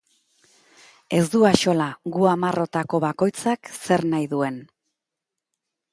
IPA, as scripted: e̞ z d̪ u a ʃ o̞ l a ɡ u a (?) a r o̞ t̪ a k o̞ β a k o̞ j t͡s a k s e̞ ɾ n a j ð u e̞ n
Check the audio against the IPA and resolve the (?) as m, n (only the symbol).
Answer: m